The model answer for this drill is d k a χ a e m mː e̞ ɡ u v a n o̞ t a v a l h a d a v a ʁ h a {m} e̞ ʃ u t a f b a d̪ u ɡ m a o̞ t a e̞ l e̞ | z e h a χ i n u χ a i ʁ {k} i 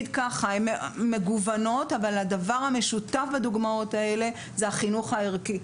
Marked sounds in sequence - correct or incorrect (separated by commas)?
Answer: correct, correct